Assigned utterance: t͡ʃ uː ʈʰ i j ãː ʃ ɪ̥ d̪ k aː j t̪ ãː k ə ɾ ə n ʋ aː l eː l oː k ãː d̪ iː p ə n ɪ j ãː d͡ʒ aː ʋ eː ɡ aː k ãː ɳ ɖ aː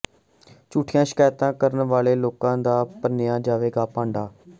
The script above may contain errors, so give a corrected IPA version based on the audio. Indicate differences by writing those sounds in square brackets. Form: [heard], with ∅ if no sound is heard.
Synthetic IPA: t͡ʃ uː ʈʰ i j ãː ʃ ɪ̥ [∅] k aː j t̪ ãː k ə ɾ ə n ʋ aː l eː l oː k ãː d̪ [aː] p ə n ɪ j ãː d͡ʒ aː ʋ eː ɡ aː [p] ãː ɳ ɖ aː